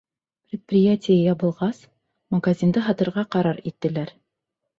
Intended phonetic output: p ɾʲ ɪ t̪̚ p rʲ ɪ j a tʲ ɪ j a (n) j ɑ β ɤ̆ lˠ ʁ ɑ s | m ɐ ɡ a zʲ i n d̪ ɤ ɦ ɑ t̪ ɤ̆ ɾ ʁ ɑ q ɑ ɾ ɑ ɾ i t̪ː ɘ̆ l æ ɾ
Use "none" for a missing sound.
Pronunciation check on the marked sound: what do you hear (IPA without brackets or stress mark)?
none